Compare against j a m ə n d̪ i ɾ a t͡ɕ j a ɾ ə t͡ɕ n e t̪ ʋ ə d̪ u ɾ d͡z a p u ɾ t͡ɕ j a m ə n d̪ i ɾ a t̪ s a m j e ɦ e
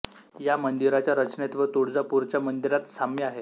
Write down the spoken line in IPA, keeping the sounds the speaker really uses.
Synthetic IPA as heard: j a m ə n d̪ i ɾ a t͡ɕ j a ɾ ə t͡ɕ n e t̪ ʋ ə t̪ u ɽ d͡z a p u ɾ t͡ɕ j a m ə n d̪ i ɾ a t̪ s a m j a ɦ e